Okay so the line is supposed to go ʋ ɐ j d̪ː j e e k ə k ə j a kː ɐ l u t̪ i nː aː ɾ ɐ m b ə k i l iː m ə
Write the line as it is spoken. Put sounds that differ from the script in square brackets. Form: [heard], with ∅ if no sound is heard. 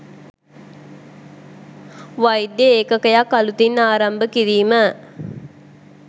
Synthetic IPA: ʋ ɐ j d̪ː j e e k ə k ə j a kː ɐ l u t̪ i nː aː ɾ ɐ m b ə k i [ɾ] iː m ə